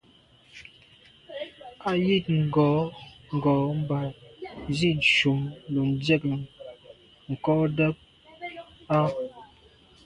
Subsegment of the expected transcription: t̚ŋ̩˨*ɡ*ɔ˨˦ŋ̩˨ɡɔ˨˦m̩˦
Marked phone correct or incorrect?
correct